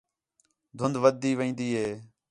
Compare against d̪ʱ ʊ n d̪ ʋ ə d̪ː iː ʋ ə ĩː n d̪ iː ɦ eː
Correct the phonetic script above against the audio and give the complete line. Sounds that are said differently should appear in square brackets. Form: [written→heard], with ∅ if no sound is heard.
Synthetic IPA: d̪ʱ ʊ n d̪ ʋ ə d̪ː iː ʋ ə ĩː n d̪ iː ɦ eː